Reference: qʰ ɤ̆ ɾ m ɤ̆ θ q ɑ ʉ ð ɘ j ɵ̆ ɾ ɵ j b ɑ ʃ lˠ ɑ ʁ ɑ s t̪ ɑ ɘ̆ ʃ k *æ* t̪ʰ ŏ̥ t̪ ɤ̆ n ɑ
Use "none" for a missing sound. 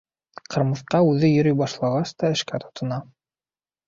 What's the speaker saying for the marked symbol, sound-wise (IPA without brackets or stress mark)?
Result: æ